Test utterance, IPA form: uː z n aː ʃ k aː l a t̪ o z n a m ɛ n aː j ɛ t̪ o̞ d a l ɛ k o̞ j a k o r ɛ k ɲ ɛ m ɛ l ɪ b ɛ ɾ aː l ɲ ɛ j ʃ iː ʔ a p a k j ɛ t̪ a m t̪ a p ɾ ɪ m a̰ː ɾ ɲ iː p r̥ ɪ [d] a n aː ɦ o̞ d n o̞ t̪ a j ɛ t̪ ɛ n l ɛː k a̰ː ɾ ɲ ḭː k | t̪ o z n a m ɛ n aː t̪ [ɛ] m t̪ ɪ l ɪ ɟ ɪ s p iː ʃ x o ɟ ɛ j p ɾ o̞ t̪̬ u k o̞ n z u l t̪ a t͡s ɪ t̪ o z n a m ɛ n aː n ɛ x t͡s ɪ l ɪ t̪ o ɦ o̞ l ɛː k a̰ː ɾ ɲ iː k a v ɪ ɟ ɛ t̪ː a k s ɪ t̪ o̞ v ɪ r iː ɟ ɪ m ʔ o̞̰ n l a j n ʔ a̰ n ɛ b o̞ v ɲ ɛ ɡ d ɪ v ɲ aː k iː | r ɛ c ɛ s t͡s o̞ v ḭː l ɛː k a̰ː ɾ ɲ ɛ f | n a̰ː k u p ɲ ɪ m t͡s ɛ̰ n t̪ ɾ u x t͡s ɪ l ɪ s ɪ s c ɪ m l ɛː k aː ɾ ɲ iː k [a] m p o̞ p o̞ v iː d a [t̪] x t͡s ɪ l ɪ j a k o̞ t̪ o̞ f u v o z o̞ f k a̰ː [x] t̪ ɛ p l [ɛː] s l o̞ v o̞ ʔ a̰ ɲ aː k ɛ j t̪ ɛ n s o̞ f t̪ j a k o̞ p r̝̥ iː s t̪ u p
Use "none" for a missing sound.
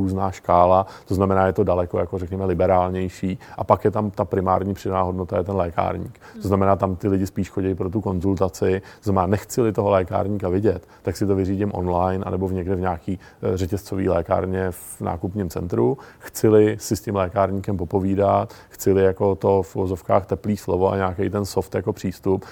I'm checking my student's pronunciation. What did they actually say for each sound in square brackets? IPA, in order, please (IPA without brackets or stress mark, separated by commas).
d, a, ɛ, t̪, x, iː